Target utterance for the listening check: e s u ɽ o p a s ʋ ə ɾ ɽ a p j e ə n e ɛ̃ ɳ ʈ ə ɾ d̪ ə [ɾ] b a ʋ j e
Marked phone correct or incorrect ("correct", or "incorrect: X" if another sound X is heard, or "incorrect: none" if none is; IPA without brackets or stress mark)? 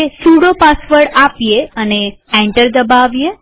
incorrect: none